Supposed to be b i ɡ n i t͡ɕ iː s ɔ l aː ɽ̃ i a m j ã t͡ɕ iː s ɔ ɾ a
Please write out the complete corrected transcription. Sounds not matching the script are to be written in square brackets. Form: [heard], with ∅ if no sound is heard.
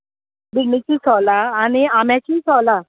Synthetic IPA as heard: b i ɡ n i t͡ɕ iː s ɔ l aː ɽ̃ i a m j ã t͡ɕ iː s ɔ [l] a